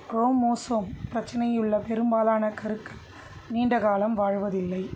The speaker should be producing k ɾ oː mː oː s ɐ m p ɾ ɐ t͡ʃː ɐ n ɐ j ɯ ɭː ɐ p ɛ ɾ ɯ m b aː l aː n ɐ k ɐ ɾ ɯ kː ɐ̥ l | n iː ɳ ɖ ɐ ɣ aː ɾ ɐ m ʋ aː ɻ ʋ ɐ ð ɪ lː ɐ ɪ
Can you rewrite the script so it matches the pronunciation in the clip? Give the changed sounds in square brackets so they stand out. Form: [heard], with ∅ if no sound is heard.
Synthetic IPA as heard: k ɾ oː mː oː s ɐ m p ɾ ɐ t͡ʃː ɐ n ɐ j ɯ ɭː ɐ p ɛ ɾ ɯ m b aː l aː n ɐ k ɐ ɾ ɯ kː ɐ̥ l | n iː ɳ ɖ ɐ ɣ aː [l] ɐ m ʋ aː ɻ ʋ ɐ ð ɪ lː ɐ ɪ